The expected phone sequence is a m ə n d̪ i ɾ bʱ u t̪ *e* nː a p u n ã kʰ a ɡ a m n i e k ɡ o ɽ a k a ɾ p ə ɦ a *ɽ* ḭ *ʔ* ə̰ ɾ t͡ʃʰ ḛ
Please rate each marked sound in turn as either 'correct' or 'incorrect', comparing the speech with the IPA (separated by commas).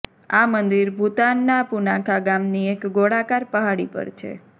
incorrect, correct, incorrect